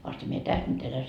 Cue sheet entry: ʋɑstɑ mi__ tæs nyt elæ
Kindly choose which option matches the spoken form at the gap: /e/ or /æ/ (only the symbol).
e